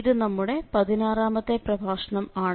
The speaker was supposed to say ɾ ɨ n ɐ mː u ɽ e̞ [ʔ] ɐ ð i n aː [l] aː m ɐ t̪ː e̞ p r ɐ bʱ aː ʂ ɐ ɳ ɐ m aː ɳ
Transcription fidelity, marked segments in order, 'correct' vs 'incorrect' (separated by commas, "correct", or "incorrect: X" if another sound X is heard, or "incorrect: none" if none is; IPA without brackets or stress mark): incorrect: p, incorrect: r